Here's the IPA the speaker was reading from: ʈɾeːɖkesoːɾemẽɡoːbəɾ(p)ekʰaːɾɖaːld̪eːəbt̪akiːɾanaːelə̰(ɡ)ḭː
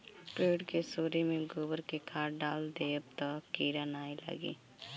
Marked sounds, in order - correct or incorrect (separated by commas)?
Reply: incorrect, correct